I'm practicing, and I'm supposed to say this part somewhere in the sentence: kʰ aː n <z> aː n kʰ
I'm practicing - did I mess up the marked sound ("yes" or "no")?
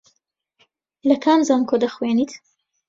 no